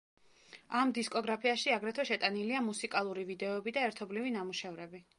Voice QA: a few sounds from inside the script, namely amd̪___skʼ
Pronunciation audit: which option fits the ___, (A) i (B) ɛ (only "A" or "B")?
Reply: A